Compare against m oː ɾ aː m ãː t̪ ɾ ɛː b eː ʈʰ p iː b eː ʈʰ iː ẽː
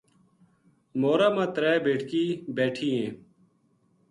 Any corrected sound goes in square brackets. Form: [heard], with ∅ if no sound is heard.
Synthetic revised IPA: m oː ɾ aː m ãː t̪ ɾ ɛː b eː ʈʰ [k] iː b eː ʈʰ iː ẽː